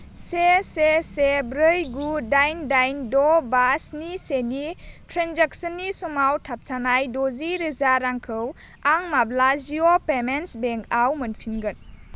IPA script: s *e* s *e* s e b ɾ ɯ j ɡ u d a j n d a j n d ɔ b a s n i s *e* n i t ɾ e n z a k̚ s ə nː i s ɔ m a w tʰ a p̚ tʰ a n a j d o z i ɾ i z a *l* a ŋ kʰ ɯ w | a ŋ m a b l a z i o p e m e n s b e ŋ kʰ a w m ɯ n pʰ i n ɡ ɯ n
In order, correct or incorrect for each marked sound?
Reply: correct, correct, correct, incorrect

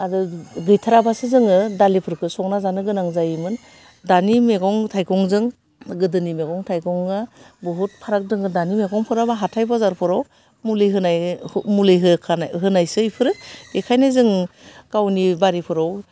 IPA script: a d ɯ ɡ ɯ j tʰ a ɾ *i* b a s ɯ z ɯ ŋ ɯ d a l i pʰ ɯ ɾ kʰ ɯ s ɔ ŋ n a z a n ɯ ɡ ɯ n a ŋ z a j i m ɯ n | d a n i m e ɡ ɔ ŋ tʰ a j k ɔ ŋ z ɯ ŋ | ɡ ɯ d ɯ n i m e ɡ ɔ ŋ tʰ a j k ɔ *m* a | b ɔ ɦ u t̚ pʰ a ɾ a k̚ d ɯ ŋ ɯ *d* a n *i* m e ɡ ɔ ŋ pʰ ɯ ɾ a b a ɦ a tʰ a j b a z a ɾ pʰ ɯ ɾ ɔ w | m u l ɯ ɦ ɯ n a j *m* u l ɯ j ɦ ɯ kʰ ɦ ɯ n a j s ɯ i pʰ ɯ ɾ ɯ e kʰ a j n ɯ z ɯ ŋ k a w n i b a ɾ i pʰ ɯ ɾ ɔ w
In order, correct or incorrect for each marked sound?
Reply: incorrect, incorrect, correct, correct, correct

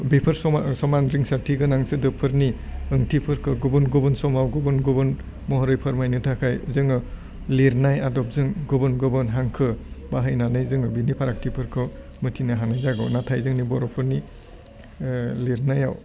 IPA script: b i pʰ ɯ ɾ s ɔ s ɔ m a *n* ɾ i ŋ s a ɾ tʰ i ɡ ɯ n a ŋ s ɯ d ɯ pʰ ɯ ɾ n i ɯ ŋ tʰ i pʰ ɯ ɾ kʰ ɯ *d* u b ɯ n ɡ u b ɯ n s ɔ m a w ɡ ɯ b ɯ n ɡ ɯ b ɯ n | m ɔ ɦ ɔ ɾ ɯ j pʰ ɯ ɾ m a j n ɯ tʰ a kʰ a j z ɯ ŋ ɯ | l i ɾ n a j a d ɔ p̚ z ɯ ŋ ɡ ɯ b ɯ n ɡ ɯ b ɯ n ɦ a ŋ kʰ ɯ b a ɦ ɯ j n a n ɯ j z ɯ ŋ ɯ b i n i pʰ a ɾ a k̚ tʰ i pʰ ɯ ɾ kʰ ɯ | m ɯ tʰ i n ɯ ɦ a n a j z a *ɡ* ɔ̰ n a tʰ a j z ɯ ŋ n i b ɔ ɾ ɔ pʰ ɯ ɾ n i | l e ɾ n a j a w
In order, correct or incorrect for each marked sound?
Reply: correct, incorrect, correct

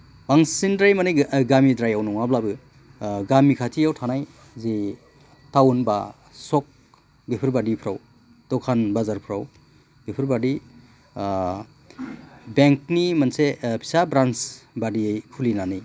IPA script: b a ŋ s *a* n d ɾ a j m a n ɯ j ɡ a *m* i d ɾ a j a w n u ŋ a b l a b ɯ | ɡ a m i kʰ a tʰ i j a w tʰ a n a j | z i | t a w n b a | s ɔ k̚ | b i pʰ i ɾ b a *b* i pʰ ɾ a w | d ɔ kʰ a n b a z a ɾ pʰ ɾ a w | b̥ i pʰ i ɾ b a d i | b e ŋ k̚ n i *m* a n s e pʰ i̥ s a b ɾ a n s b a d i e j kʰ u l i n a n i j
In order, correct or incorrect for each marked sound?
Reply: incorrect, correct, incorrect, correct

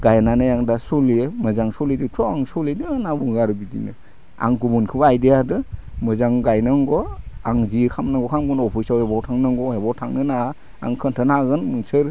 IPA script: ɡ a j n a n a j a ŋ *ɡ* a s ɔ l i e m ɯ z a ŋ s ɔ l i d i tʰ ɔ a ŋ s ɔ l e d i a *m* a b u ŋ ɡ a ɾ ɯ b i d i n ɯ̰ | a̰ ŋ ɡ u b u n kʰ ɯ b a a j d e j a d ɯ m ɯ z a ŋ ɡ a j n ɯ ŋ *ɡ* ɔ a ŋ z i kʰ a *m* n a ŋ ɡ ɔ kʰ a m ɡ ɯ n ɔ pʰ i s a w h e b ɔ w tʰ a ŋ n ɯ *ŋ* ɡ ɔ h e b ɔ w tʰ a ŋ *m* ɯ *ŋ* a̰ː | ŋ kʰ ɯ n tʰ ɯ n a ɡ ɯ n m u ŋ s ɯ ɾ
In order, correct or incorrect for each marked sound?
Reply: incorrect, incorrect, correct, correct, correct, incorrect, incorrect

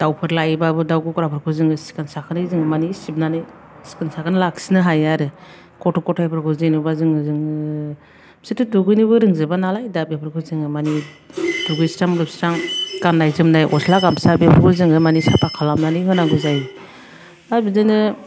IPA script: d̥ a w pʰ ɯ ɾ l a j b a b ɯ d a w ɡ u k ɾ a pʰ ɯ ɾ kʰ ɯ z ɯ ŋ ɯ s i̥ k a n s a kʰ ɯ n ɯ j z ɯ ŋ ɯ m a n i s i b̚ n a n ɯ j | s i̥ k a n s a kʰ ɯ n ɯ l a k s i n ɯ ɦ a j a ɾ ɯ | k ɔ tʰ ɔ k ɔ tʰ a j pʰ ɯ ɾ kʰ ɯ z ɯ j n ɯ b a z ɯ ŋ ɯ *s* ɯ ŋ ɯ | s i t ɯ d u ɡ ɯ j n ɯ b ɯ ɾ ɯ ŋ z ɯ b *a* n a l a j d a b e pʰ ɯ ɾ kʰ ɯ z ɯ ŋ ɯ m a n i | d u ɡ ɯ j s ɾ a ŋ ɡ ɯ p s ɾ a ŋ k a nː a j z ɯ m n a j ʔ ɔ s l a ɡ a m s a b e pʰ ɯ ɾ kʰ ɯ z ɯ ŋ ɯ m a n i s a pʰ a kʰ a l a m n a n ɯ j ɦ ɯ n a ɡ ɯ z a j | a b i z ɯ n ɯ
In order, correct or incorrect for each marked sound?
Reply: incorrect, correct

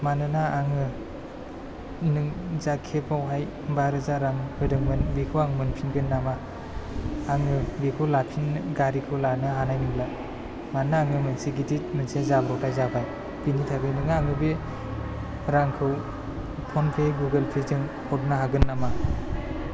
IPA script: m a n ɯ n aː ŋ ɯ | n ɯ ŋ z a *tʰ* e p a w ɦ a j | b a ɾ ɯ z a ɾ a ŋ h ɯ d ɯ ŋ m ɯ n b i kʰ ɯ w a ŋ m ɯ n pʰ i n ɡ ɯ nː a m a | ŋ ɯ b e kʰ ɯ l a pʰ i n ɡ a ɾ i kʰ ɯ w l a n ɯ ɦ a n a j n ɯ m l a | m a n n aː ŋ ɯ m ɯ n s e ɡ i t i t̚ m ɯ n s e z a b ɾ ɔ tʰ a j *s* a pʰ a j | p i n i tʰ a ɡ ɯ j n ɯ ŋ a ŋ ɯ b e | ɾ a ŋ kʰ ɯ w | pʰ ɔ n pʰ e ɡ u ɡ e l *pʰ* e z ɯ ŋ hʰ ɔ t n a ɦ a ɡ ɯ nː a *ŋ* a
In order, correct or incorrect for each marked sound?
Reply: incorrect, incorrect, correct, incorrect

